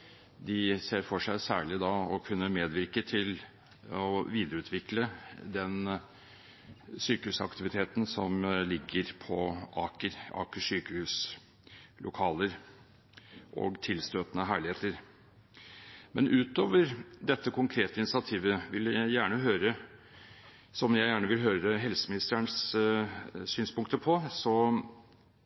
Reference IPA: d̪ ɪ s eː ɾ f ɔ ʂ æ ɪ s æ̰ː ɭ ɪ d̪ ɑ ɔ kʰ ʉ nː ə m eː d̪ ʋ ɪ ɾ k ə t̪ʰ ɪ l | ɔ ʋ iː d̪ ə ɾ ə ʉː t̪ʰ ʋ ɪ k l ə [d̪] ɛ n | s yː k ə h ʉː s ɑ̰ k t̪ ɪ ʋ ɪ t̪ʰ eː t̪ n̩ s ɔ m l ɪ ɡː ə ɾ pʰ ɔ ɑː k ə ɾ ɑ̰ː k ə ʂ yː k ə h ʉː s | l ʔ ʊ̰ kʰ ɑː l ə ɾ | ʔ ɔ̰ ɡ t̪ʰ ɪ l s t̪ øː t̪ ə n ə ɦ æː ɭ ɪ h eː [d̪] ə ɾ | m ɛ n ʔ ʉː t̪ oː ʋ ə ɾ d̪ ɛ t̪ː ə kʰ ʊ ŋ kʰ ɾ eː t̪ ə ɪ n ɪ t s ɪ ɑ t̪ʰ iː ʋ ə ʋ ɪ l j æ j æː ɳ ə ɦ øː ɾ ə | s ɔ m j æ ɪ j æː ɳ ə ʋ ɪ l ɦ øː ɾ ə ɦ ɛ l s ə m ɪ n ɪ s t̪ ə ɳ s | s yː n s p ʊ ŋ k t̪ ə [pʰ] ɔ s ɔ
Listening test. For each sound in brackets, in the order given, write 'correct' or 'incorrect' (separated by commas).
correct, incorrect, correct